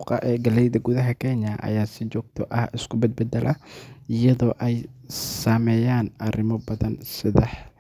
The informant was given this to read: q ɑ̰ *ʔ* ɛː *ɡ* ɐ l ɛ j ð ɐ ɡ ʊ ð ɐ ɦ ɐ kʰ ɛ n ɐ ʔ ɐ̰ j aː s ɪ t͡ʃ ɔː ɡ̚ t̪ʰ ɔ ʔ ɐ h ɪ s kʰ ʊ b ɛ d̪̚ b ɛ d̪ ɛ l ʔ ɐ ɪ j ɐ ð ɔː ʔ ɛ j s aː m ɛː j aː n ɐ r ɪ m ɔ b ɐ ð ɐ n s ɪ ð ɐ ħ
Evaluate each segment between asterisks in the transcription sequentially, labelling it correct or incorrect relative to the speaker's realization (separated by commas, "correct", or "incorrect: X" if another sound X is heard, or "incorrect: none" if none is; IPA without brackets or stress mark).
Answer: correct, correct